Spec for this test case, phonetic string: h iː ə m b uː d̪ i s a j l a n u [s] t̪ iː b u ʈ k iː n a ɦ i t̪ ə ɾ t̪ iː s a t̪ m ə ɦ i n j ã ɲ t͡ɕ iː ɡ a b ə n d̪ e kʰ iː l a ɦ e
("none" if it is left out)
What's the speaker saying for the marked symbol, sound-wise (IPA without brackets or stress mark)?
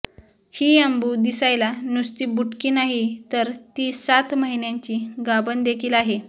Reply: s